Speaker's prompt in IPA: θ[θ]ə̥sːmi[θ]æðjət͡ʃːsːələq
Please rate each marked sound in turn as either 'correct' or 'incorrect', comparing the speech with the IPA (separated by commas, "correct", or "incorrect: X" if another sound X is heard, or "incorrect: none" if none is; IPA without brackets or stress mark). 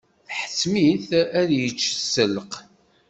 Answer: incorrect: ħ, correct